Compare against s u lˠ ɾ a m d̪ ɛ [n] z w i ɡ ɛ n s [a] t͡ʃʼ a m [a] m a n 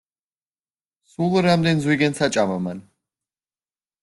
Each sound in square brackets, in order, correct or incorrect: correct, correct, correct

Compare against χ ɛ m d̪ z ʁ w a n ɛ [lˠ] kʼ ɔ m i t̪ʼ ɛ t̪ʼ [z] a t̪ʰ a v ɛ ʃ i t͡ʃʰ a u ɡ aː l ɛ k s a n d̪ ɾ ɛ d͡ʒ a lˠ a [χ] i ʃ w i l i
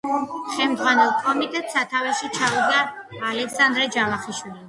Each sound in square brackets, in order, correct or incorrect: correct, incorrect: s, correct

